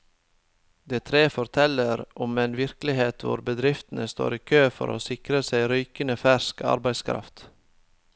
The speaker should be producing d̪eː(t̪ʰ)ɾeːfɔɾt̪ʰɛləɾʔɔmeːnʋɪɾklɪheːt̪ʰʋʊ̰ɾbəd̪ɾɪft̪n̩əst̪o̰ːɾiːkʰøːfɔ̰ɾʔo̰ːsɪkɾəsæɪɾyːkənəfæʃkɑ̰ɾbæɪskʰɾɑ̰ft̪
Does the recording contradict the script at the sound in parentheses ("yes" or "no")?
no